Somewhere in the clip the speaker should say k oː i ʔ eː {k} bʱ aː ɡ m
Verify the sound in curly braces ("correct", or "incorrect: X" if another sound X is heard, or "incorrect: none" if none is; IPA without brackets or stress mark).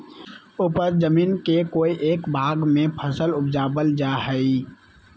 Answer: correct